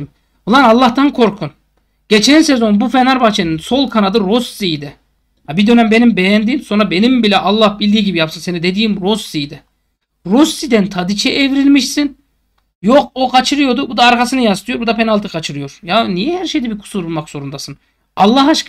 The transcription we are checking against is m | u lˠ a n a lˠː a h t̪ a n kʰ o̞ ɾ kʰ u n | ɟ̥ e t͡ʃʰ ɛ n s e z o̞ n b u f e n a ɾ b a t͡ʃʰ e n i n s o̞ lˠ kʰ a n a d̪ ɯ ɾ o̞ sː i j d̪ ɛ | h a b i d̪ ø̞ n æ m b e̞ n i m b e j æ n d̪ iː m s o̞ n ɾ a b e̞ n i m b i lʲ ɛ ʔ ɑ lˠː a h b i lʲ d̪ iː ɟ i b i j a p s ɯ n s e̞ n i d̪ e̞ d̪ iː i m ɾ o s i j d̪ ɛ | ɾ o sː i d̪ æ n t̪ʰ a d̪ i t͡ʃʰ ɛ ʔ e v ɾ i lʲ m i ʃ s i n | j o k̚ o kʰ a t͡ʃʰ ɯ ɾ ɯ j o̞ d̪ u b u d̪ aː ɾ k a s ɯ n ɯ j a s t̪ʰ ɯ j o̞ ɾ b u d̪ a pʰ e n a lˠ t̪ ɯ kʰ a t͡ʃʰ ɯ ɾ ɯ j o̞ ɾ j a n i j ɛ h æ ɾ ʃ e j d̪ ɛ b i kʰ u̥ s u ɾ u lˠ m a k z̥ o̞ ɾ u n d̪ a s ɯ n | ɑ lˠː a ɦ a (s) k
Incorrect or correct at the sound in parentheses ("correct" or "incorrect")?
incorrect